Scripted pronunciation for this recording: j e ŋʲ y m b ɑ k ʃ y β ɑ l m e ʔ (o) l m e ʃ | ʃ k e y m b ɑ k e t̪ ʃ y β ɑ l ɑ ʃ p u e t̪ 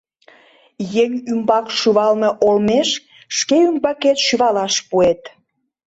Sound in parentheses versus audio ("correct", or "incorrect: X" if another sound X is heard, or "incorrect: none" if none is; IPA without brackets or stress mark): correct